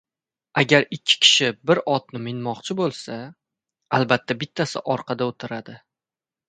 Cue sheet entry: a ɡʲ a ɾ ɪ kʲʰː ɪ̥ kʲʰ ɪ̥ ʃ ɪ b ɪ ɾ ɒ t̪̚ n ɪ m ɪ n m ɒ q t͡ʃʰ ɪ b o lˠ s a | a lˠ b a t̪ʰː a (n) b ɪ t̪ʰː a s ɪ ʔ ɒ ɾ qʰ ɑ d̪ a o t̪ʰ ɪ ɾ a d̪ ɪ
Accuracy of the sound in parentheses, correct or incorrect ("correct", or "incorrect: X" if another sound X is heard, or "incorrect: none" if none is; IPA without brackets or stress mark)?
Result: incorrect: none